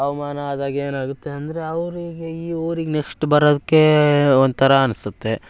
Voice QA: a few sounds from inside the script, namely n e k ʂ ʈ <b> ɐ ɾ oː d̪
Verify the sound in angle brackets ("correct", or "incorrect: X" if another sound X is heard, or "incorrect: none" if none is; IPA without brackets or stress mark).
correct